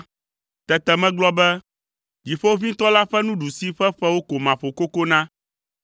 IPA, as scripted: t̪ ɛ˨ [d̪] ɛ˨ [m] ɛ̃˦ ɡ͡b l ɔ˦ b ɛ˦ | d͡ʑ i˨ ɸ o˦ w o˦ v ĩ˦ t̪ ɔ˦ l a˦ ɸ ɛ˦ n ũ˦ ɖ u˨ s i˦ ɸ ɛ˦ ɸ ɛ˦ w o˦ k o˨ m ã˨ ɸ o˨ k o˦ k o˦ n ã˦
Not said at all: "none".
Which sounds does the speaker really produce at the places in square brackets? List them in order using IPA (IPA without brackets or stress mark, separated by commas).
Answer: t̪, m